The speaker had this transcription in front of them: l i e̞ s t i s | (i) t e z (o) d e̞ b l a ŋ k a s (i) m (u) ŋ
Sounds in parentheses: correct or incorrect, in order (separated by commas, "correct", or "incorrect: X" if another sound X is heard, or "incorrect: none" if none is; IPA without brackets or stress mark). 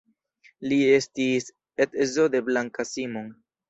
incorrect: e, correct, correct, incorrect: o